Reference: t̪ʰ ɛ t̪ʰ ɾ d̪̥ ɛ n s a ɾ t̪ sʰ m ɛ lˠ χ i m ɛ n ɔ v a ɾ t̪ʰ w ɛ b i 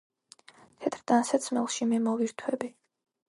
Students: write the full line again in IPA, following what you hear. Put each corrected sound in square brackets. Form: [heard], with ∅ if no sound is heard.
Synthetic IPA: t̪ʰ ɛ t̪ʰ ɾ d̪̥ [a] n s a [∅] t̪ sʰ m ɛ lˠ [ʃ] i m ɛ [m] ɔ v [i] ɾ t̪ʰ w ɛ b i